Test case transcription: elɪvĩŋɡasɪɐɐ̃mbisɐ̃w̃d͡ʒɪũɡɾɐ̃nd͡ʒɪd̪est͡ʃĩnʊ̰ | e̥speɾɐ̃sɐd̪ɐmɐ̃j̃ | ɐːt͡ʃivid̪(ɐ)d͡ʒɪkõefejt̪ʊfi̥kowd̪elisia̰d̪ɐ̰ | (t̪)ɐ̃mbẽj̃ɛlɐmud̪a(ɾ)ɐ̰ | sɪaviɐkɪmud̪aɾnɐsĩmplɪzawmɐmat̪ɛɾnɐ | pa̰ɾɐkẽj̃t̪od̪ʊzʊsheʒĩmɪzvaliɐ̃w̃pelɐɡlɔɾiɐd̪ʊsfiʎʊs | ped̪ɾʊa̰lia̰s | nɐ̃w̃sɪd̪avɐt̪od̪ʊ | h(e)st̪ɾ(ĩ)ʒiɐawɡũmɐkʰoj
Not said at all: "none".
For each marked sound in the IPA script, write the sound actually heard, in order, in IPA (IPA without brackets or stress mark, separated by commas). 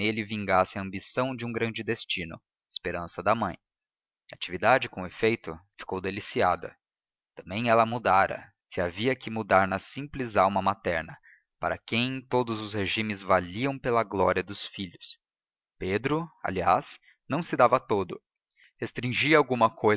a, t̪, ɾ, e, ĩ